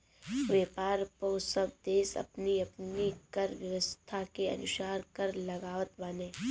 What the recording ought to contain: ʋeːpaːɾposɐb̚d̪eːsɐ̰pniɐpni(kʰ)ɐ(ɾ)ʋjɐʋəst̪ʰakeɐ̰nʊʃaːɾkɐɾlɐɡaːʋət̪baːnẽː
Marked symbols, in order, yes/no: no, yes

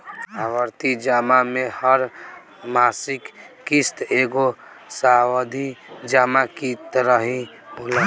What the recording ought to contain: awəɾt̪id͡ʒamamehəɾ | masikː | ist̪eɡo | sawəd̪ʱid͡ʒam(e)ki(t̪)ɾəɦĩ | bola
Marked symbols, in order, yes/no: no, yes

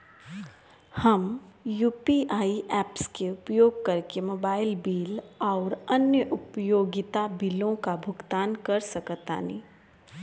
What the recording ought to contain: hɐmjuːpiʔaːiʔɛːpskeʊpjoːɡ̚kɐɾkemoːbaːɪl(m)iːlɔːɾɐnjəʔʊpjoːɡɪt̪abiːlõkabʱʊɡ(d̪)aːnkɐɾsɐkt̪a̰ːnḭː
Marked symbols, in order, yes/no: no, no

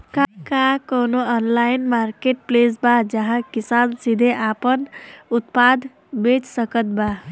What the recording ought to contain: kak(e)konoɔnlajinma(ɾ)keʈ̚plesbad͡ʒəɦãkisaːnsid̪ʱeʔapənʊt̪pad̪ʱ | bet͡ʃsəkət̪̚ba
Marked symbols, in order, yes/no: no, yes

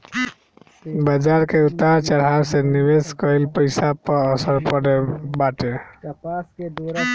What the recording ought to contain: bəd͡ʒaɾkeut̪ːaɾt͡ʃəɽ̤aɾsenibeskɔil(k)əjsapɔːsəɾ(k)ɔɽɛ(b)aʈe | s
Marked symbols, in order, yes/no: no, no, yes

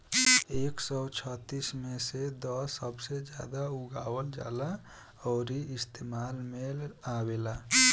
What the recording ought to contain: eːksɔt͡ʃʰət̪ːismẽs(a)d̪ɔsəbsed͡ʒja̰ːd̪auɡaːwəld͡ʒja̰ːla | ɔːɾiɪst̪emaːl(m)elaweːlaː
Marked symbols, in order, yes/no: no, yes

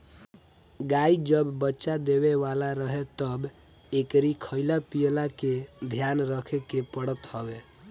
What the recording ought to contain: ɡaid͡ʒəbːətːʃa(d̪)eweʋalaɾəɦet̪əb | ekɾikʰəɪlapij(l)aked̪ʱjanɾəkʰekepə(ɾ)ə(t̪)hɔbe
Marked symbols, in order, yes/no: yes, yes, no, yes

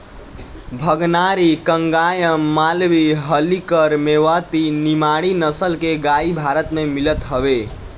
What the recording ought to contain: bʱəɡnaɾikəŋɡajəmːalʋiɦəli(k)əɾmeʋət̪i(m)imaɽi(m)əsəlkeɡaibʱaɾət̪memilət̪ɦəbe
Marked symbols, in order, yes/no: yes, no, no

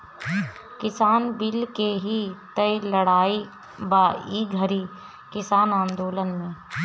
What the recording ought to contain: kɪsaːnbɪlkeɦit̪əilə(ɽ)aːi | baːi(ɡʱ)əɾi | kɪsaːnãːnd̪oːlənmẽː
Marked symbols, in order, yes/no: yes, yes

